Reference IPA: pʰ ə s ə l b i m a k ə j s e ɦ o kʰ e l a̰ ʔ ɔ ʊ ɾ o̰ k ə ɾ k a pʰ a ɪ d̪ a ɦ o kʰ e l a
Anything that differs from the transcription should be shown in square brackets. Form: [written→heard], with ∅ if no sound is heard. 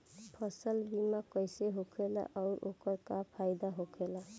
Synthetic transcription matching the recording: pʰ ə s ə l b i m a k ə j s e ɦ o kʰ e l a̰ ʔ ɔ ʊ ɾ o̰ k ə ɾ k a pʰ a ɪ d̪ a ɦ o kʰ e l a

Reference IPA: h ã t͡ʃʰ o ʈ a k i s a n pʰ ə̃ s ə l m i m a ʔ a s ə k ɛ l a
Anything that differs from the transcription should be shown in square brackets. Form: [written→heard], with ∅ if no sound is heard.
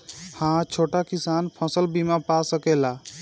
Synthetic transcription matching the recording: h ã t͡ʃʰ o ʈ a k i s a n pʰ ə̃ s ə l [m→b] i m a [ʔ→p] a s ə k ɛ l a

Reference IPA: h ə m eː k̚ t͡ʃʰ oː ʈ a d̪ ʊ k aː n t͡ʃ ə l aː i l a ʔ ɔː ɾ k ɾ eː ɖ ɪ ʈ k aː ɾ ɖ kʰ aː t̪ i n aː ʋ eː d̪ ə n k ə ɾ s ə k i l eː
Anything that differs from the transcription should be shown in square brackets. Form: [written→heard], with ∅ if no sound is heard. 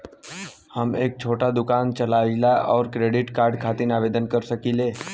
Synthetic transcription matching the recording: h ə m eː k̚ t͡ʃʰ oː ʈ a d̪ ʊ k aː n t͡ʃ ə l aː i l a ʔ ɔː ɾ k ɾ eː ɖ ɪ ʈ k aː ɾ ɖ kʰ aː t̪ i n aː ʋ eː d̪ ə n k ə ɾ s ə k i l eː

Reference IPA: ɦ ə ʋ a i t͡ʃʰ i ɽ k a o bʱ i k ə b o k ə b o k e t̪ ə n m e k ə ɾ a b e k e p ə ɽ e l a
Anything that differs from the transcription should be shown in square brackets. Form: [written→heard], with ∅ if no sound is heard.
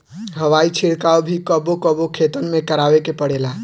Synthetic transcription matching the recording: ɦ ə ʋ a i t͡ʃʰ i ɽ k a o bʱ i k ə b o k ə b o [k→kʰ] e t̪ ə n m e k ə ɾ a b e k e p ə ɽ e l a

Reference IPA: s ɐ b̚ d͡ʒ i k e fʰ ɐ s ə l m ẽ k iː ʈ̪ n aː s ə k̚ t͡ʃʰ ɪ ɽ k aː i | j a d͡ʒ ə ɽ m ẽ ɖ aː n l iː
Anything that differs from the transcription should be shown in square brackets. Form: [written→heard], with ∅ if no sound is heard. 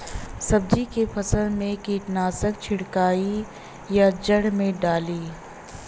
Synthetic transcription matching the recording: s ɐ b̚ d͡ʒ i k e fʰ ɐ s ə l m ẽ k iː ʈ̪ n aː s ə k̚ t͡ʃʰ ɪ ɽ k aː i | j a d͡ʒ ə ɽ m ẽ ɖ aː [n→∅] l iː

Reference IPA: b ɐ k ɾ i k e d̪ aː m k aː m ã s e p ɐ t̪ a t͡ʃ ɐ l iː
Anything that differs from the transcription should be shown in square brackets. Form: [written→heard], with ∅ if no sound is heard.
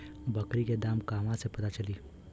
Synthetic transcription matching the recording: b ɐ k ɾ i k e d̪ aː m k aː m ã s e p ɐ t̪ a t͡ʃ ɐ l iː

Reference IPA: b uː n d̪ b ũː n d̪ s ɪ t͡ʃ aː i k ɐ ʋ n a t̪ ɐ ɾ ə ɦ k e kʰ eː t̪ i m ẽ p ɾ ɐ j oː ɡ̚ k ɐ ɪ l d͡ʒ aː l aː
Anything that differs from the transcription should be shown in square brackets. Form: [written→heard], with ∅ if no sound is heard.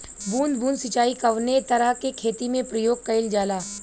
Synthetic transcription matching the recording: b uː n d̪ b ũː n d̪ s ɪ t͡ʃ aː i k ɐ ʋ n [a→e] t̪ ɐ ɾ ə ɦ k e kʰ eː t̪ i m ẽ p ɾ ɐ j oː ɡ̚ k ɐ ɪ l d͡ʒ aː l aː

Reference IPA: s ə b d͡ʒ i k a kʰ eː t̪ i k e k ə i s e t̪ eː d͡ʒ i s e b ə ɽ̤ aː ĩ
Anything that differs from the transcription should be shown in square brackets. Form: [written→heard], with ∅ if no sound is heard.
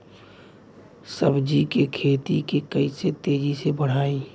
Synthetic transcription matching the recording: s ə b d͡ʒ i k [a→e] kʰ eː t̪ i k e k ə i s e t̪ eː d͡ʒ i s e b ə ɽ̤ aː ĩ

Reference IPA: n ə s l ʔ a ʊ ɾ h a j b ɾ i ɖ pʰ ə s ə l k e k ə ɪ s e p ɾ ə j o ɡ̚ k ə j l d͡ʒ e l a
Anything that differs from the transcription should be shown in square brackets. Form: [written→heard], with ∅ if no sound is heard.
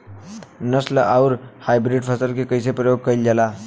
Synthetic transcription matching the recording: n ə s l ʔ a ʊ ɾ h a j b ɾ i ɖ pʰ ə s ə l k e k ə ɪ s e p ɾ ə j o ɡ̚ k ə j l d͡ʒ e l a

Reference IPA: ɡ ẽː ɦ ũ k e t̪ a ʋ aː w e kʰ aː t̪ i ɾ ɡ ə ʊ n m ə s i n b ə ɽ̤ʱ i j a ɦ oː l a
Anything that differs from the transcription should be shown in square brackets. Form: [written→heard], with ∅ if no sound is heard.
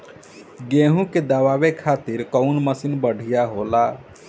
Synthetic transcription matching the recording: ɡ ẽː ɦ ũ k e [t̪→d̪] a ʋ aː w e kʰ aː t̪ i ɾ [ɡ→k] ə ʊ n m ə s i n b ə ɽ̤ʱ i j a ɦ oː l a

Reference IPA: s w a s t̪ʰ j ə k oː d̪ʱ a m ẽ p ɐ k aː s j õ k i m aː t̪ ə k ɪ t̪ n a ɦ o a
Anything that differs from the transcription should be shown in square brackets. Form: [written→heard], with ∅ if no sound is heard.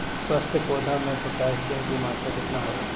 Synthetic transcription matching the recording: s w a s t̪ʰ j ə k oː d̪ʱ a m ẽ p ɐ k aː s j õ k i m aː t̪ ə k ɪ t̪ n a ɦ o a

